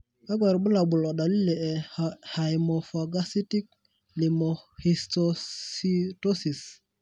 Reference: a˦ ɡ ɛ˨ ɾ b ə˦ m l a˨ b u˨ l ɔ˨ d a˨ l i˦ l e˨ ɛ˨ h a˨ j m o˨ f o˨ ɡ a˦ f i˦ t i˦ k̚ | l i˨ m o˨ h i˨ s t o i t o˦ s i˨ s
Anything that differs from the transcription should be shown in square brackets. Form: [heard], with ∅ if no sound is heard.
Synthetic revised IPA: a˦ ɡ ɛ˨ ɾ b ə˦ [∅] l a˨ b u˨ l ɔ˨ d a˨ l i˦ l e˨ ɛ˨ h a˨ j m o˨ f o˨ ɡ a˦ [s] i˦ t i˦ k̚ | l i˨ m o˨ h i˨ s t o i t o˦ s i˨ s

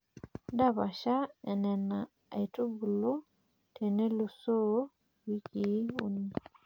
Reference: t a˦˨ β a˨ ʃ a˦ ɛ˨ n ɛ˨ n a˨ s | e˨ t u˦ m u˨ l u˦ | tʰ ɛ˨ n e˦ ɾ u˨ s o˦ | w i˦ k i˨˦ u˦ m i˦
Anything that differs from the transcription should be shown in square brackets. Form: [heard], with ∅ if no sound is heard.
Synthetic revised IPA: [d] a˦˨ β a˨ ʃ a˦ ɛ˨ n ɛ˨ n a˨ [∅] | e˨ t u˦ [b] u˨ l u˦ | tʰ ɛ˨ n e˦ [l] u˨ s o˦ | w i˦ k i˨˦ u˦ [n] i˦

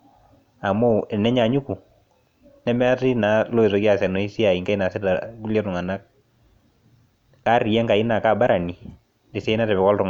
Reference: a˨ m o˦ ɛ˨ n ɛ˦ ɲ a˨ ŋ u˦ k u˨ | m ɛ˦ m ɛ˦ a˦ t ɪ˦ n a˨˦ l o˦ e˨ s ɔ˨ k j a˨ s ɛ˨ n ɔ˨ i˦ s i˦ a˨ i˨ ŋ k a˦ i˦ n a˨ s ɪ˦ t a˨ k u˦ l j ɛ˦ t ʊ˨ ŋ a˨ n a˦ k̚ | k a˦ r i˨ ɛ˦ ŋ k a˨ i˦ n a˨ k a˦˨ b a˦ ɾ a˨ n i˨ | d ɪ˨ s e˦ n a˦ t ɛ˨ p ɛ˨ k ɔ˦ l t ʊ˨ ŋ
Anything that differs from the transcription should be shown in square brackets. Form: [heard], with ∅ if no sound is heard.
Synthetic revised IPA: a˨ m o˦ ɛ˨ n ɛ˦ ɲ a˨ [ɲ] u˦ k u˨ | [n] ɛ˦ m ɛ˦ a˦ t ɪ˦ n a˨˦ l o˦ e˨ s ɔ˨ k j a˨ s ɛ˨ n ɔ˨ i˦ s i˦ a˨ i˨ ŋ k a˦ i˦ n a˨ s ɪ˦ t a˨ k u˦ l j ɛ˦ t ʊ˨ ŋ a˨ n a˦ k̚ | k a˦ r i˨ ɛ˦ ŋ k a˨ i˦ n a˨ k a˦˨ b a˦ ɾ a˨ n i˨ | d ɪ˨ s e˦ n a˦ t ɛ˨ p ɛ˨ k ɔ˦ l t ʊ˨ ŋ

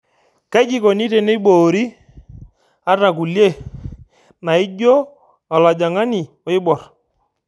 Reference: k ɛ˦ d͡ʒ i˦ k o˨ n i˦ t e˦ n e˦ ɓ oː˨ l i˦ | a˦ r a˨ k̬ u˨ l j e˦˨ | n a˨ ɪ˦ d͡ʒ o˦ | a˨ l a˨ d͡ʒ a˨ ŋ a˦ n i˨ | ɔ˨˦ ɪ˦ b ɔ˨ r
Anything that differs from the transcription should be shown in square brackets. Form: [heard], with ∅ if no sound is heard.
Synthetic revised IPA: k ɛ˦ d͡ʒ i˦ k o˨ n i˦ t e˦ n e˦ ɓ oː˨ [ɾ] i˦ | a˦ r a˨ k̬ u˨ l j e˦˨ | n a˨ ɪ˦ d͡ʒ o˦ | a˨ l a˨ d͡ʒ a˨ ŋ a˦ n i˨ | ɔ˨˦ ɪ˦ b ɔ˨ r

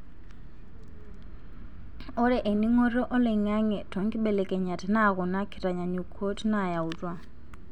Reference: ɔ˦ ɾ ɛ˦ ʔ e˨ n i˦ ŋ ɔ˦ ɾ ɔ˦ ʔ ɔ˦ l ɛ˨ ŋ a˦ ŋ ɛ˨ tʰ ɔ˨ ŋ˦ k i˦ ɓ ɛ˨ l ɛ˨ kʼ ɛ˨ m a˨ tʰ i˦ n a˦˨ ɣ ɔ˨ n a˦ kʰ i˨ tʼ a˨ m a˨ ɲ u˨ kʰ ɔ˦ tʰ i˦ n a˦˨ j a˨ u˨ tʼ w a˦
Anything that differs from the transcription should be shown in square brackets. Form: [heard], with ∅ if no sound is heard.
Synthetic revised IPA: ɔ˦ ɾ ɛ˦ ʔ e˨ n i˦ ŋ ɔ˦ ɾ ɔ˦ ʔ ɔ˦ l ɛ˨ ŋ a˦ ŋ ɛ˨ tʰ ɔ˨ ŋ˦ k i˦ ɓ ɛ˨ l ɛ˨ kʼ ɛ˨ [ɲ] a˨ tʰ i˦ n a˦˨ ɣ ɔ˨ n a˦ kʰ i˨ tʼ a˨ [ɲ] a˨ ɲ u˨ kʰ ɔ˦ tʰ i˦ n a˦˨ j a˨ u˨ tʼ w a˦

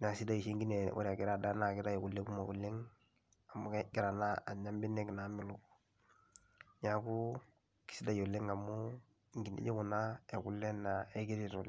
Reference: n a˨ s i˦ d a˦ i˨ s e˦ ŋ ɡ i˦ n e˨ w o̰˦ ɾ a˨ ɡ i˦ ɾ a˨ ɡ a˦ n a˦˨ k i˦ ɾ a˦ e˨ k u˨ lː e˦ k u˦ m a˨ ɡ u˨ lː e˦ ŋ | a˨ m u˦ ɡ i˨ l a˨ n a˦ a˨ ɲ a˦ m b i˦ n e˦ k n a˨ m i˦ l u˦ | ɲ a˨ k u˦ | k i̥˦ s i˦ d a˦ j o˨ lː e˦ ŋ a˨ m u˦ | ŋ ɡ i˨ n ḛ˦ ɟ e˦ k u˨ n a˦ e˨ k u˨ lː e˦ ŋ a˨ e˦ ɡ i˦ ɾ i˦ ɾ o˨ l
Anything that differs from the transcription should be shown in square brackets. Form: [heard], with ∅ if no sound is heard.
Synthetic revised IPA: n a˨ s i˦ d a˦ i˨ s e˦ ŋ ɡ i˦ n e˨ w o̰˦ ɾ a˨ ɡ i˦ ɾ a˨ [d] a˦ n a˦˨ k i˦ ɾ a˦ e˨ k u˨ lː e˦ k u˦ m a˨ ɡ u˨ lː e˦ ŋ | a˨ m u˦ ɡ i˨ [ɾ] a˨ n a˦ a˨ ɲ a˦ m b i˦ n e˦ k n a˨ m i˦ l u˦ | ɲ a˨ k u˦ | k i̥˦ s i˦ d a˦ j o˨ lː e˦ ŋ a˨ m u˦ | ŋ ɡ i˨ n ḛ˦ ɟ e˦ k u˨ n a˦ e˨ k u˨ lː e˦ [n] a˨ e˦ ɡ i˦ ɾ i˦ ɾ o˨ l

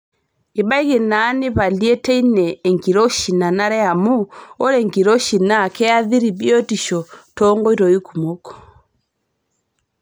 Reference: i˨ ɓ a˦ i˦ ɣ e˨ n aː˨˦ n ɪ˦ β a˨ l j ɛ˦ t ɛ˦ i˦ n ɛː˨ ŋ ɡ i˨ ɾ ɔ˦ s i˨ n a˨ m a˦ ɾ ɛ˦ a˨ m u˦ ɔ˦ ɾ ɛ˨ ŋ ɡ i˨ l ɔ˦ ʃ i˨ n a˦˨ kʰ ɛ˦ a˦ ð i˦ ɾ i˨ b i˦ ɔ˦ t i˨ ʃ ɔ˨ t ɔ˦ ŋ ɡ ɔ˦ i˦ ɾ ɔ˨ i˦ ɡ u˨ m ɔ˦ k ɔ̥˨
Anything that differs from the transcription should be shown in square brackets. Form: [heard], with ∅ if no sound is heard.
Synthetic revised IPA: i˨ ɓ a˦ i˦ ɣ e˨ n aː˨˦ n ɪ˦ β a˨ l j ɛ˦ t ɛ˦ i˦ n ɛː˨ ŋ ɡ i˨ ɾ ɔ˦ [ʃ] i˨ n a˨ [n] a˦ ɾ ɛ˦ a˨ m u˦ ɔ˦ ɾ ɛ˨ ŋ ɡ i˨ [ɾ] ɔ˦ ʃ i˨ n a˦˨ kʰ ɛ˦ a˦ ð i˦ ɾ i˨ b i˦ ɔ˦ t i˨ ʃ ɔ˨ t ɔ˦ ŋ ɡ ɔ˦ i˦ ɾ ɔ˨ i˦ [k] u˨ m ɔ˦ k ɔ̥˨

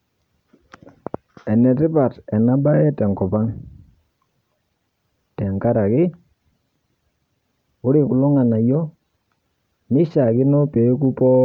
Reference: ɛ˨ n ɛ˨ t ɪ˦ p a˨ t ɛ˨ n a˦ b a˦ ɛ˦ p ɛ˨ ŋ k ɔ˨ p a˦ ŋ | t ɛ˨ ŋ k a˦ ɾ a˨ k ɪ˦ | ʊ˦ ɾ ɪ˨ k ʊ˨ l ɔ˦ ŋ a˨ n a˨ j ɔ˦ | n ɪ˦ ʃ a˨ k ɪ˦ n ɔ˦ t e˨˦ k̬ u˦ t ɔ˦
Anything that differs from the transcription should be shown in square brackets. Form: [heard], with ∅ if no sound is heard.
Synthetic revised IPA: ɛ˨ n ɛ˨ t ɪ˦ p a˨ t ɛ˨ n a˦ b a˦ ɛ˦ [t] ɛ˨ ŋ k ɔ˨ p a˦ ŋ | t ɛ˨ ŋ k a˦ ɾ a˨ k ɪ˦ | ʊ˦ ɾ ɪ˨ k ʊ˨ l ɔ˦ ŋ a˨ n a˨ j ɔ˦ | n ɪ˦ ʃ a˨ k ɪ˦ n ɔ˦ [p] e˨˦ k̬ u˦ [p] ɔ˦

